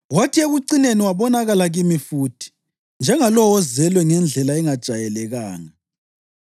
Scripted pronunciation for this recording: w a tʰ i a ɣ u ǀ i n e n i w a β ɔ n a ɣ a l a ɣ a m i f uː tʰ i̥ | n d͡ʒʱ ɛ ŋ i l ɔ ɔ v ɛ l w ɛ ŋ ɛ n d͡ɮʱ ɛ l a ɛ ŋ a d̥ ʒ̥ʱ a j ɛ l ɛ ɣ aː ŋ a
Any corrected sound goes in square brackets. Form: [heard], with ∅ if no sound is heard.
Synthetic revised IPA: w a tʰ i [e] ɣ u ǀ i n e n i w a β ɔ n a ɣ a l a ɣ [i] m i f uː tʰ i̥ | n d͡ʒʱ ɛ ŋ [a] l ɔ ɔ [z] ɛ l w ɛ ŋ ɛ n d͡ɮʱ ɛ l a ɛ ŋ a d̥ ʒ̥ʱ a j ɛ l ɛ ɣ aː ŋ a